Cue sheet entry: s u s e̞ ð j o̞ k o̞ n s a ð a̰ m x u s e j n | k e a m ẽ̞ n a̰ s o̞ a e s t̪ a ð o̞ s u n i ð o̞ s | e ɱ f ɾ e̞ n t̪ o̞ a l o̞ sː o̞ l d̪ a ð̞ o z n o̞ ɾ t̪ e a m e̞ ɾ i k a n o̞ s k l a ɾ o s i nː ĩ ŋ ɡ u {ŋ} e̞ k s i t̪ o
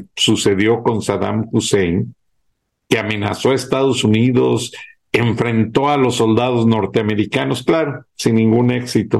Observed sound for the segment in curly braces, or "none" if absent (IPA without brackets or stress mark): n